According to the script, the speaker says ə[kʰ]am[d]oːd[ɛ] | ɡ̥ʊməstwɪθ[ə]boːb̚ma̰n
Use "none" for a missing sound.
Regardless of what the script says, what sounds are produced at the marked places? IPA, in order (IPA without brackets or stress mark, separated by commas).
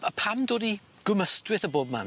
pʰ, d, i, ə